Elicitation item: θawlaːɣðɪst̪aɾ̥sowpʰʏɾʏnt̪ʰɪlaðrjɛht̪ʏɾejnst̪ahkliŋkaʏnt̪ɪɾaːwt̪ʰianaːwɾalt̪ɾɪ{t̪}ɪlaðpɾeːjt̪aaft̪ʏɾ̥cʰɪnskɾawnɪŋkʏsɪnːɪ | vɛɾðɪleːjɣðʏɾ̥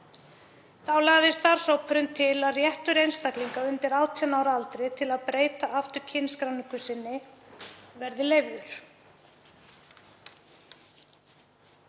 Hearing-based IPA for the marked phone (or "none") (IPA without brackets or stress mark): t̪ʰ